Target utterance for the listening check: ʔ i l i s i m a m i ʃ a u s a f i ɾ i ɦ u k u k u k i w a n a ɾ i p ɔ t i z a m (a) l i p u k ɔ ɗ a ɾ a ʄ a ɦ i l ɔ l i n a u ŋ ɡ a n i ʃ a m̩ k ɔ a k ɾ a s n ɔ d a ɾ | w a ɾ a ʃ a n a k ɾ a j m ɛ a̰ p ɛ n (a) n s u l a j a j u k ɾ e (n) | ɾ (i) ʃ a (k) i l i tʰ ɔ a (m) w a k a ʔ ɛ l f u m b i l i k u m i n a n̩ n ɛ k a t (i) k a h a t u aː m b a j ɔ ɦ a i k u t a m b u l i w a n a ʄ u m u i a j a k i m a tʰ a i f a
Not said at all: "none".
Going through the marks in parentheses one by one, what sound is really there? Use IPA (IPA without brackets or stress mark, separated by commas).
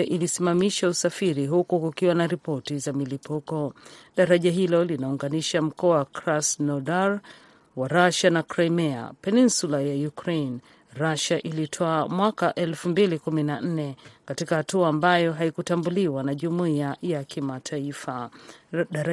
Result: i, i, n, a, ʔ, m, i